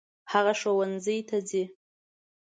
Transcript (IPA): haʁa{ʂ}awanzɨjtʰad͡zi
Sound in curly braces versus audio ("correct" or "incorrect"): correct